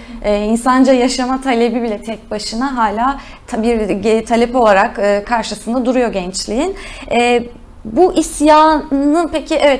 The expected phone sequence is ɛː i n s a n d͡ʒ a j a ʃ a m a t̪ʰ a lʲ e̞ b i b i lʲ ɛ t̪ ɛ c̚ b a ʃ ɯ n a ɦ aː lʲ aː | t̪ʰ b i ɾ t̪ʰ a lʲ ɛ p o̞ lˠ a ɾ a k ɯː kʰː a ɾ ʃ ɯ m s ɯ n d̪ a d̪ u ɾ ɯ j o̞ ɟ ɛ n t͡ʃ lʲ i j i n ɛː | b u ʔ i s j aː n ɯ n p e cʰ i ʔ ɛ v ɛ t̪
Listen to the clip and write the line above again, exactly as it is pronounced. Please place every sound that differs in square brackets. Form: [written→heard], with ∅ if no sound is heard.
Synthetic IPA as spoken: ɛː i n s a n d͡ʒ a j a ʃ a m a t̪ʰ a lʲ e̞ b i b i lʲ ɛ [t̪→t̪ʰ] ɛ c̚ b a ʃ ɯ n a ɦ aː lʲ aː | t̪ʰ b i ɾ t̪ʰ a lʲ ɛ p o̞ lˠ a ɾ a k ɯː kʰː a ɾ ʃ ɯ [m→∅] s ɯ n d̪ a d̪ u ɾ [ɯ→u] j o̞ ɟ ɛ n t͡ʃ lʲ i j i n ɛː | b u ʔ i s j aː n ɯ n p e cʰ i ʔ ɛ v ɛ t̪